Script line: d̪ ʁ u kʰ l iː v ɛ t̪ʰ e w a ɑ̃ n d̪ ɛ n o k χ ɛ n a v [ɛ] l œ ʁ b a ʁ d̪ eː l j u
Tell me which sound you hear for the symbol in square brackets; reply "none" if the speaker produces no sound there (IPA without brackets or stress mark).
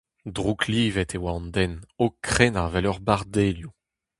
ɛ